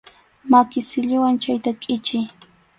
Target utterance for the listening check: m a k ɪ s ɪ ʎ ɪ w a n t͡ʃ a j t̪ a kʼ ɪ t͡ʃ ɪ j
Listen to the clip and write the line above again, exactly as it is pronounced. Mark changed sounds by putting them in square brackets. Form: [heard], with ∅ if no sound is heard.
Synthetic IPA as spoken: m a k ɪ s ɪ ʎ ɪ w a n t͡ʃ a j t̪ a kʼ ɪ t͡ʃ ɪ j